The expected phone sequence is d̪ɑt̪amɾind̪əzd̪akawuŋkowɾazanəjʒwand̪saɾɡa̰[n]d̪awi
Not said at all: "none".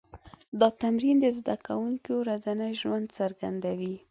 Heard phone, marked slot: n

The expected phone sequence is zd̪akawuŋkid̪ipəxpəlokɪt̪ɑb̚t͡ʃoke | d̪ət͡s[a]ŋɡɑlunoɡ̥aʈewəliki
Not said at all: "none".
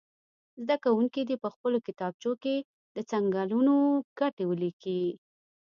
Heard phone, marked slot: a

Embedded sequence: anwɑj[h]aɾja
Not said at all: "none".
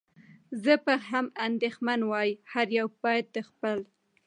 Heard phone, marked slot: h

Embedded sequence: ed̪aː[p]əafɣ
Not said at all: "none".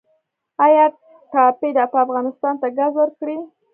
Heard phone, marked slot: p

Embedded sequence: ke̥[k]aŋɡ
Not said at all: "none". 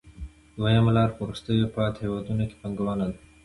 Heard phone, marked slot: p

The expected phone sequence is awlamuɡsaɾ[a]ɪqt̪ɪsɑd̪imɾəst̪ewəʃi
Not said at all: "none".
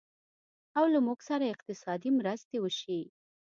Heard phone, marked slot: a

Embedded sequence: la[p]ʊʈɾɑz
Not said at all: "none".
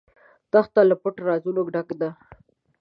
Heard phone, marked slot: p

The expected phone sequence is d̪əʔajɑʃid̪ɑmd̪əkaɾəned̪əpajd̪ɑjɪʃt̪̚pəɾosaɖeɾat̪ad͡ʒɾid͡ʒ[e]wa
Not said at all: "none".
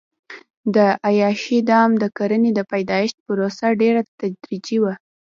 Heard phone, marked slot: i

